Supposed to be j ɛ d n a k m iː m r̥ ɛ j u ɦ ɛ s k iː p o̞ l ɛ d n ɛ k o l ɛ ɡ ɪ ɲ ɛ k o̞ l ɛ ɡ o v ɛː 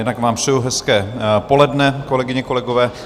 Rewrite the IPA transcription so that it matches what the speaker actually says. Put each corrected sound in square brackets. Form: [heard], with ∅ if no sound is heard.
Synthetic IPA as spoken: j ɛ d n a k m [aː] m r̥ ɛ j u ɦ ɛ s k [ɛː] p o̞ l ɛ d n ɛ k o l ɛ ɡ ɪ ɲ ɛ k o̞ l ɛ ɡ o v ɛː